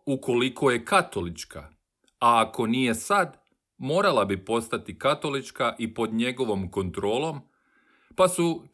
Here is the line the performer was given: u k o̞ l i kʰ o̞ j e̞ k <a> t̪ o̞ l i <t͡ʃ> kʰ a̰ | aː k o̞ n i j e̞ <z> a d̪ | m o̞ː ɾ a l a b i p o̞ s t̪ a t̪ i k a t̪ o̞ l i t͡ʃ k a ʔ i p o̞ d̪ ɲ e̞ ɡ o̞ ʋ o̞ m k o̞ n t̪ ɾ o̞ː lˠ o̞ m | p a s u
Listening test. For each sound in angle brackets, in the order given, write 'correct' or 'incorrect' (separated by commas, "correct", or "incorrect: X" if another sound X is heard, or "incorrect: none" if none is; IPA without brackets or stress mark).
correct, correct, incorrect: s